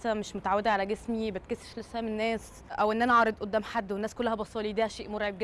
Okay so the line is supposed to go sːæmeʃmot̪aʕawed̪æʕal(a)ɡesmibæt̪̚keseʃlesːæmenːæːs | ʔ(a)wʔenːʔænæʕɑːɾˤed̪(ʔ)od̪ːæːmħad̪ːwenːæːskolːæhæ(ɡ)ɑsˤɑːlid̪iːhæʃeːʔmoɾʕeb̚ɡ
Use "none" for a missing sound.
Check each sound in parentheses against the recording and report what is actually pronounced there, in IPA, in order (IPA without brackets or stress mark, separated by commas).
æ, æ, ʔ, b